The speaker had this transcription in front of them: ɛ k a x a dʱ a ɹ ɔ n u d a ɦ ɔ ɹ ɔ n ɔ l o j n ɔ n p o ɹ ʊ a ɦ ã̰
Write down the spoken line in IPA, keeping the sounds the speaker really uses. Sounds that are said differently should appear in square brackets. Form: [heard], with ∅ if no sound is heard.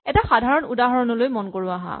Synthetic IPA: ɛ [t] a x a dʱ a ɹ ɔ n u d a ɦ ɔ ɹ ɔ n ɔ l o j [m] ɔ n [k] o ɹ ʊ a ɦ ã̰